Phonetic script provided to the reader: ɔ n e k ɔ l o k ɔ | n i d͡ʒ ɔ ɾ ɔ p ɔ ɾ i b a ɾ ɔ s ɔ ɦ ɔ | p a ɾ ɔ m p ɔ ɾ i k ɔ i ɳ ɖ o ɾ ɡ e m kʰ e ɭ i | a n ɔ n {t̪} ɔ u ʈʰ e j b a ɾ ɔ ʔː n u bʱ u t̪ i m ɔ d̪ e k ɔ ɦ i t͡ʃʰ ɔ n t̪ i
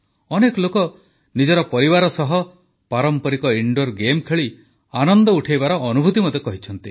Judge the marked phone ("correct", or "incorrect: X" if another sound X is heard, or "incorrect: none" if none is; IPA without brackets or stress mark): incorrect: d̪